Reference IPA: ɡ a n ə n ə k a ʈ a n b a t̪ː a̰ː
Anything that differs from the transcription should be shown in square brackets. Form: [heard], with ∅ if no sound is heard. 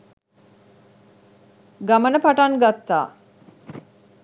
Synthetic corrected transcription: ɡ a [m] ə n ə [p] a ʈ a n [ɡ] a t̪ː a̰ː